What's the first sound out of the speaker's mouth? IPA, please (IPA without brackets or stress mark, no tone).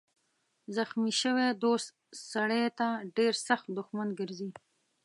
z